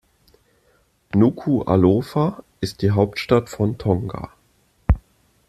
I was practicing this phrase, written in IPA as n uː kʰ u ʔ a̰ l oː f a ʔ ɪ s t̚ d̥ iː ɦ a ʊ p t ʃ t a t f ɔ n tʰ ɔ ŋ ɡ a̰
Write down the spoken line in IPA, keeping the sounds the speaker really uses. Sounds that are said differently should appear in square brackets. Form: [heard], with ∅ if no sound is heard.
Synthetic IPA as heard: n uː kʰ u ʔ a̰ l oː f a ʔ ɪ s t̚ d̥ iː ɦ a ʊ p t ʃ t a t f ɔ n tʰ ɔ ŋ ɡ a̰